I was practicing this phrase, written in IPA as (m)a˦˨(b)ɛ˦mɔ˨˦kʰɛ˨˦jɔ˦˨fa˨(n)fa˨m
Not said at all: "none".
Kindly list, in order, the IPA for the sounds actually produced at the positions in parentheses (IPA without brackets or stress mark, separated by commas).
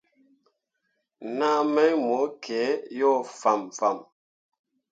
n, m, m